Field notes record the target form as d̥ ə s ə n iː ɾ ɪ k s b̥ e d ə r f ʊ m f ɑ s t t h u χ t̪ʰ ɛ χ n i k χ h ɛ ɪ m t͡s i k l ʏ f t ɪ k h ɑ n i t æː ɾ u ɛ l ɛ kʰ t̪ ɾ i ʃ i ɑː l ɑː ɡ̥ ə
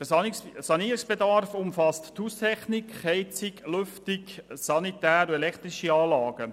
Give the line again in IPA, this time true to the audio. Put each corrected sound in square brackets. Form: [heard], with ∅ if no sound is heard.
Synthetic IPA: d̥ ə s [ɑ] n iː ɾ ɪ k s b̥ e d [ɑ] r f ʊ m f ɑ s t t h u [s] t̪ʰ ɛ χ n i k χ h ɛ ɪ [∅] t͡s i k l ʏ f t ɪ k [s] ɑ n i t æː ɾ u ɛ l ɛ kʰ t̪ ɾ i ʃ i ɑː l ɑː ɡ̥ ə